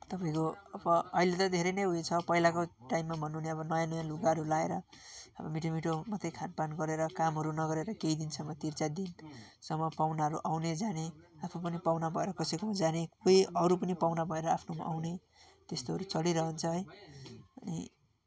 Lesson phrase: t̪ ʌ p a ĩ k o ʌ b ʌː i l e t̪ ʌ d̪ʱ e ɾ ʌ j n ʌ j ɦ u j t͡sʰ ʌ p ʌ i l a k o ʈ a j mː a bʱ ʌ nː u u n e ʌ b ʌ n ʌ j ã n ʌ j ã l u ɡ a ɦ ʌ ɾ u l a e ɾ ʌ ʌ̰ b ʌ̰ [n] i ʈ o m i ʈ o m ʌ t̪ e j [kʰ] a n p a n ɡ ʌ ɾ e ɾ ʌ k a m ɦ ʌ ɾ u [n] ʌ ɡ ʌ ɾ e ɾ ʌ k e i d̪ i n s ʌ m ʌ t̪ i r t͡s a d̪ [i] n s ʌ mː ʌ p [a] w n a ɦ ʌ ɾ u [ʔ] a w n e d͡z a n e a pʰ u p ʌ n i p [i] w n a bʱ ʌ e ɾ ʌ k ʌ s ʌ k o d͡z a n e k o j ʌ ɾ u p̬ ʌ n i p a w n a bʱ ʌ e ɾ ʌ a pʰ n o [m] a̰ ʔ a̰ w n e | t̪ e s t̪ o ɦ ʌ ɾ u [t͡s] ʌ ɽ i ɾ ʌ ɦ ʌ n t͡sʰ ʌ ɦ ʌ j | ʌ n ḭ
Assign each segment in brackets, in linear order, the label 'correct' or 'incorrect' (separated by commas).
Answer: incorrect, correct, correct, correct, correct, correct, incorrect, correct, correct